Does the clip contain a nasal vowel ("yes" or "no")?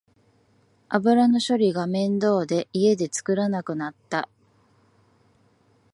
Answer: yes